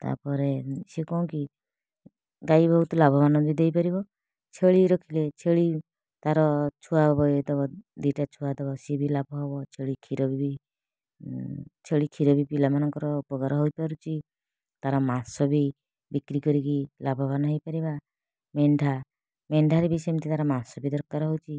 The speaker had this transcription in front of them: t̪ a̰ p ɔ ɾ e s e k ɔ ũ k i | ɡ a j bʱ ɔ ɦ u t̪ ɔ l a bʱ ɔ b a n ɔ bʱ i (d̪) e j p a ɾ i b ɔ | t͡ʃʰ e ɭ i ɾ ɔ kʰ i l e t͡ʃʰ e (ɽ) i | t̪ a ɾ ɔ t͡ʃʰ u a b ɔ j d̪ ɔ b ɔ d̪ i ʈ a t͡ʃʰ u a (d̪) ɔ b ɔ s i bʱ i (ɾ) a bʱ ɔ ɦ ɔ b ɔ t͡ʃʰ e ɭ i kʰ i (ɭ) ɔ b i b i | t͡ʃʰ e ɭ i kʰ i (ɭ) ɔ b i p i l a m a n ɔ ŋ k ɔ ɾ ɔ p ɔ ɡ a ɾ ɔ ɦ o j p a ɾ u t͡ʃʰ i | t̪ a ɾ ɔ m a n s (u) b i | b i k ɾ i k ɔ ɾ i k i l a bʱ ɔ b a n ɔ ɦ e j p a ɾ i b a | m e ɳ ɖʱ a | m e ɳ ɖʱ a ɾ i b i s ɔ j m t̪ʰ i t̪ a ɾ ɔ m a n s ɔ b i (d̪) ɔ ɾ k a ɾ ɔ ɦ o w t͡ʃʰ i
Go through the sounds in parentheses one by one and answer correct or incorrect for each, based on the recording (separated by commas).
correct, incorrect, correct, incorrect, incorrect, incorrect, incorrect, correct